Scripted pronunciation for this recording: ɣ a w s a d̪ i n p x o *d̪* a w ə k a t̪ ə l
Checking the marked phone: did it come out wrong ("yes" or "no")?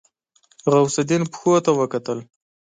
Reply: yes